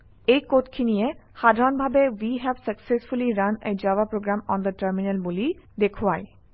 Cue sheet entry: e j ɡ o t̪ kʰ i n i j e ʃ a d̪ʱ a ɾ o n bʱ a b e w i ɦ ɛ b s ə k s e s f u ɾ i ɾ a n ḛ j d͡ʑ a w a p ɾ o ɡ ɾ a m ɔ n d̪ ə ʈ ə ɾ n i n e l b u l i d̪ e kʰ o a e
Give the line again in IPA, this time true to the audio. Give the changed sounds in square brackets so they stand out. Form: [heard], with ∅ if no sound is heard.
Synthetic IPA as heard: e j [k] o t̪ kʰ i n i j e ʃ a d̪ʱ a ɾ o n bʱ a b e w i ɦ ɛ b s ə k s e s f u [l] i ɾ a n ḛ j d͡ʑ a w a p ɾ o ɡ ɾ a m ɔ n d̪ ə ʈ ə ɾ [m] i n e l b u l i d̪ e kʰ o a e